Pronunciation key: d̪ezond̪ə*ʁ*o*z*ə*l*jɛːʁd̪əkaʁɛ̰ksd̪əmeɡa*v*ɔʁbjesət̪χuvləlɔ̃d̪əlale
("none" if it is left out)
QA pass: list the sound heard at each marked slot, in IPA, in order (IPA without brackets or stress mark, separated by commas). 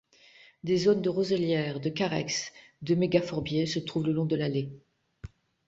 ʁ, z, l, f